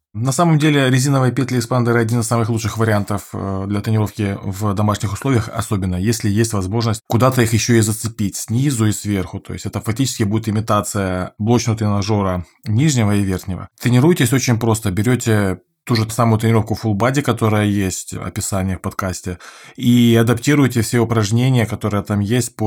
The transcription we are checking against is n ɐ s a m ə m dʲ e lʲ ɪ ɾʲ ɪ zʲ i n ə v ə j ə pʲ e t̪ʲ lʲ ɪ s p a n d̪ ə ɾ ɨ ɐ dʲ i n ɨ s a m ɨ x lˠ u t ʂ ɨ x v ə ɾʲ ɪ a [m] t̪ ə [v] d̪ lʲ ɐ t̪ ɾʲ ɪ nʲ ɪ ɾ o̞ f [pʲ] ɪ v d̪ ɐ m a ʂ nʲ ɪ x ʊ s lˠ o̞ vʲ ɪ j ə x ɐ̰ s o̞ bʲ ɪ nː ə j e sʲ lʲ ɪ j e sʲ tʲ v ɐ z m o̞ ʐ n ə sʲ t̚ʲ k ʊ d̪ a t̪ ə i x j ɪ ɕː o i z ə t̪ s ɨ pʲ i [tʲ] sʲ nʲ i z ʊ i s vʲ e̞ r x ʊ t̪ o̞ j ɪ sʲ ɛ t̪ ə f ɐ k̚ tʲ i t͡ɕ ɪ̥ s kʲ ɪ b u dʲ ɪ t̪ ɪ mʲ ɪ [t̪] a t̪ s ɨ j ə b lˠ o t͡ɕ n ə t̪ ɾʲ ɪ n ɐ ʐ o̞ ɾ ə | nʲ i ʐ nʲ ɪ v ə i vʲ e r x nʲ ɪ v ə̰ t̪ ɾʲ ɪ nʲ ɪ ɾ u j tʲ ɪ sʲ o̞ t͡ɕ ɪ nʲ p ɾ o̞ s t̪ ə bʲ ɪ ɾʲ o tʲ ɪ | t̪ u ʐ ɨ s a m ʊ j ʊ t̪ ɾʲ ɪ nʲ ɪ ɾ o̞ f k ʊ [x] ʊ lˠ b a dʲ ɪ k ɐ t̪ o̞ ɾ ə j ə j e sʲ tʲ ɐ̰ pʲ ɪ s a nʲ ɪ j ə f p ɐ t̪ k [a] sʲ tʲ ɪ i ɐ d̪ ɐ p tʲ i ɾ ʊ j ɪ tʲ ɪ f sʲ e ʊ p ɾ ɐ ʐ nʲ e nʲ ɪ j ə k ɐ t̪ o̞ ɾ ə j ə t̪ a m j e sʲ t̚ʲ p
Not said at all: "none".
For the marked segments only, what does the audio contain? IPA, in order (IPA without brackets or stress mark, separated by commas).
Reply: n, f, kʲ, tʲ, t̪, f, a